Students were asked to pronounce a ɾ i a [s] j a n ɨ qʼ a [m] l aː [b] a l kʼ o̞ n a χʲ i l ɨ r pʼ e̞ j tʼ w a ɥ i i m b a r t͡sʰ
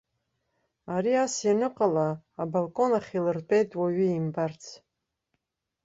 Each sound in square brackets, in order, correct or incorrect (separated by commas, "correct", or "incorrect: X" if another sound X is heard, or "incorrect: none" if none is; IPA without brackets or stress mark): correct, incorrect: none, correct